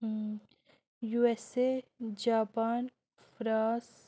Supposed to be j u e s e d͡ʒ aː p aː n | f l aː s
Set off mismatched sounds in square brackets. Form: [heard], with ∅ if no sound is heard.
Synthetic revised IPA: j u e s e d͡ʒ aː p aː n | f [ɾ] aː s